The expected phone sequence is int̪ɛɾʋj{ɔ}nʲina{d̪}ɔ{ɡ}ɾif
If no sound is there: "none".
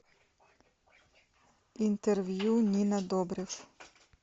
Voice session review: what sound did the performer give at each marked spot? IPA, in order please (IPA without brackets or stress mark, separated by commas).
u, d̪, b